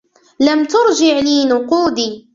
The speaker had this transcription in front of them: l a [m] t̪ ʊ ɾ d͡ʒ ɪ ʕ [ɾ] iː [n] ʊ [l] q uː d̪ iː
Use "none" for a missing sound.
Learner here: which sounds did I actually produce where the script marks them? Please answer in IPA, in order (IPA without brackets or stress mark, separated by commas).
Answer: m, l, n, none